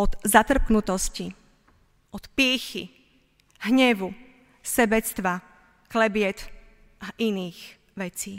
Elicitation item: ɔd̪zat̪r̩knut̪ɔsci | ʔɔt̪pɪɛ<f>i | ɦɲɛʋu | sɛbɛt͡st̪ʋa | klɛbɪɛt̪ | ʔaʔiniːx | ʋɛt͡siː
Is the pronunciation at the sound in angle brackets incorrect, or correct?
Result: incorrect